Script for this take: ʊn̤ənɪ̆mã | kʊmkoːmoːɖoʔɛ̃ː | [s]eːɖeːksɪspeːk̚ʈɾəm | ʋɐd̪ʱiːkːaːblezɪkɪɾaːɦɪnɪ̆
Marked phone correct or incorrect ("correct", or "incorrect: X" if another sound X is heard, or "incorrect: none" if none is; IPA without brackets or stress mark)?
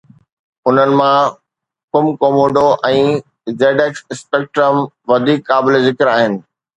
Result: incorrect: z